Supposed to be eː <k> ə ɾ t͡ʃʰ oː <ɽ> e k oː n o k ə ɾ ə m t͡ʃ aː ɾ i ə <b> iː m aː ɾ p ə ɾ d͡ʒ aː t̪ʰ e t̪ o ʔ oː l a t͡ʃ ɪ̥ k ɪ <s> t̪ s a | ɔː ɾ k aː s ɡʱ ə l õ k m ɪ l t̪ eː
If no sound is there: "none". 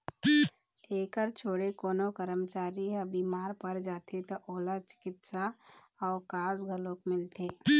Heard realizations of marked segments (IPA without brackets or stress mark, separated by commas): k, ɽ, b, none